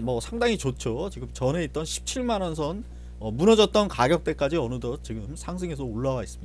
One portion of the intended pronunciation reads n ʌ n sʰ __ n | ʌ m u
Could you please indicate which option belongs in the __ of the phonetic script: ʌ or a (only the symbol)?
ʌ